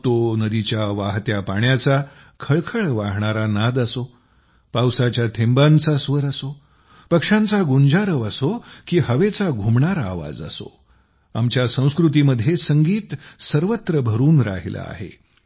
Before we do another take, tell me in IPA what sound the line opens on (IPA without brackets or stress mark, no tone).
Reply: t̪